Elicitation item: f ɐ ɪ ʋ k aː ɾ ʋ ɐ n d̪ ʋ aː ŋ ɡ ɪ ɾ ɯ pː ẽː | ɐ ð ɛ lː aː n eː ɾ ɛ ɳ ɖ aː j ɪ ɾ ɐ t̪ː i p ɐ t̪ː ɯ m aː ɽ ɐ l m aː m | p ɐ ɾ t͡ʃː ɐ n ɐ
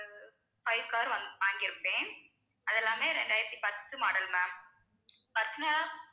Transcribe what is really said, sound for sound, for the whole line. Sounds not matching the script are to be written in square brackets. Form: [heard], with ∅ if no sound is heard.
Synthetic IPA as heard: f ɐ ɪ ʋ k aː ɾ ʋ ɐ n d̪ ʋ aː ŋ ɡ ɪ ɾ ɯ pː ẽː | ɐ ð ɛ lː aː [m] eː ɾ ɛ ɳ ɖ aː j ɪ ɾ ɐ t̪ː i p ɐ t̪ː ɯ m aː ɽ ɐ l m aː m | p ɐ ɾ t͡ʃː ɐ n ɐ